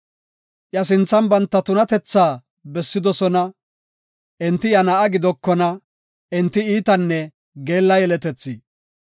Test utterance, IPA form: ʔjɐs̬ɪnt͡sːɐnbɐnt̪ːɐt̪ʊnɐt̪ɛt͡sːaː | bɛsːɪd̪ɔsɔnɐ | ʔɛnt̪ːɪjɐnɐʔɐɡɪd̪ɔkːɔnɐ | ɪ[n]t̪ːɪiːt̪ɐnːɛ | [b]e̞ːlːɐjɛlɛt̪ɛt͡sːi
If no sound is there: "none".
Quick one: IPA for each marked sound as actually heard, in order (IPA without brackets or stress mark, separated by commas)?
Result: n, ɡ